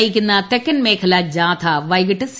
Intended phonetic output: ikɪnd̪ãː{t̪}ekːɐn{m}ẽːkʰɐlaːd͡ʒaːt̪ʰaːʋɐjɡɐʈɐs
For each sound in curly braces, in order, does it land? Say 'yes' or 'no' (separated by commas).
yes, yes